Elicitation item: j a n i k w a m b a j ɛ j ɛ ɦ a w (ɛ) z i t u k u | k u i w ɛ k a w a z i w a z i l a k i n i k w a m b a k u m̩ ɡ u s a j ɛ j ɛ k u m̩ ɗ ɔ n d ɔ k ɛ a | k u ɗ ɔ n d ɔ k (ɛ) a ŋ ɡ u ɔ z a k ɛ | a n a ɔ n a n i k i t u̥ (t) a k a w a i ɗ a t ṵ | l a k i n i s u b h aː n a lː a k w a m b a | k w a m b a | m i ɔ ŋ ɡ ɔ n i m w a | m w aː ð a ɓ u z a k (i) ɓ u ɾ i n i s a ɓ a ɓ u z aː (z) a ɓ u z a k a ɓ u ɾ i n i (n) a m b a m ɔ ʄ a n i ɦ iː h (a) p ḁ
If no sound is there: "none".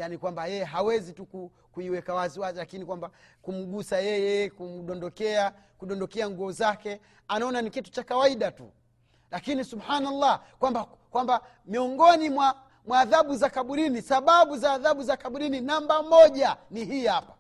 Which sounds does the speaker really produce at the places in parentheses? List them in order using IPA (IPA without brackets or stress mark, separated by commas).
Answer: ɛ, ɛ, t͡ʃ, a, ð, n, a